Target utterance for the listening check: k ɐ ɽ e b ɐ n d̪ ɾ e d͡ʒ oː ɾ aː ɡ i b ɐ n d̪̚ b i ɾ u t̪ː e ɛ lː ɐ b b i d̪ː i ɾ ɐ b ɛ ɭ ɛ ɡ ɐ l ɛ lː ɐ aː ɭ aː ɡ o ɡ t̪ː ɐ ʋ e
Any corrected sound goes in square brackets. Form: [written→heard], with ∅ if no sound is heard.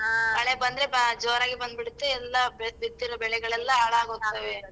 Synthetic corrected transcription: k ɐ [ɽ→ɭ] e b ɐ n d̪ ɾ e d͡ʒ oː ɾ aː ɡ i b ɐ n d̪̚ b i [ɾ→ɽ] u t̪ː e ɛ lː ɐ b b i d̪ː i ɾ ɐ b ɛ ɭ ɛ ɡ ɐ [l→ɭ] ɛ lː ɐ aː ɭ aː ɡ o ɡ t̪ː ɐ ʋ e